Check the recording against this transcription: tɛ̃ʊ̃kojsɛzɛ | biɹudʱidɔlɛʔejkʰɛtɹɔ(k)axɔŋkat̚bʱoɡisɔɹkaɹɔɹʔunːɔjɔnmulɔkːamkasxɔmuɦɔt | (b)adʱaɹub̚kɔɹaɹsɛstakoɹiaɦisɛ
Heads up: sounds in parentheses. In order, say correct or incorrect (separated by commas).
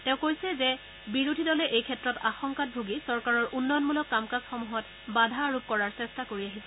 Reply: incorrect, correct